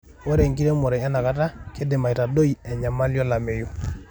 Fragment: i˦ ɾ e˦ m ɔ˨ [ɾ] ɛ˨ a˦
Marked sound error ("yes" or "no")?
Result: no